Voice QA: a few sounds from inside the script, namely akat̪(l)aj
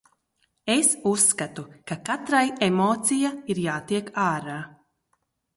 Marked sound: incorrect: ɾ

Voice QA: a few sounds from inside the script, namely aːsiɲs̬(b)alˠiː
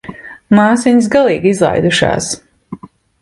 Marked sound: incorrect: ɡ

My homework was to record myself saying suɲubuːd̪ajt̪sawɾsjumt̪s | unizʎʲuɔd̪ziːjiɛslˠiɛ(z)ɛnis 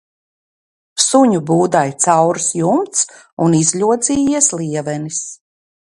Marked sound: incorrect: v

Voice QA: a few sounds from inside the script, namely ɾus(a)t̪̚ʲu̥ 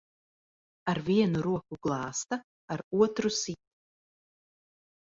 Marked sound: incorrect: i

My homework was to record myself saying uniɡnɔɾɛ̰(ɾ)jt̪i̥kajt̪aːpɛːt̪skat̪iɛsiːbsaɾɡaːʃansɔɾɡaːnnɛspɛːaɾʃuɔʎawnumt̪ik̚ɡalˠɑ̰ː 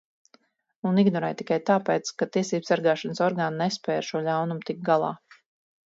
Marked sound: incorrect: none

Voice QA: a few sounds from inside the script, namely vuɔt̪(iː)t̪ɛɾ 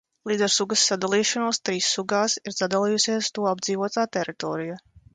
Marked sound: incorrect: aː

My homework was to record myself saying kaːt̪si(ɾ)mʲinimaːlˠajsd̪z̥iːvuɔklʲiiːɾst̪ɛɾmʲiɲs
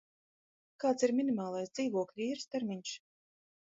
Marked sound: correct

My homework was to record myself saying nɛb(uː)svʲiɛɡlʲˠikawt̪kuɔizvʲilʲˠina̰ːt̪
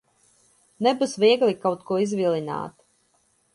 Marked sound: incorrect: u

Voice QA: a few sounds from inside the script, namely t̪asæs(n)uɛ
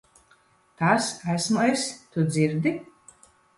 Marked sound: incorrect: m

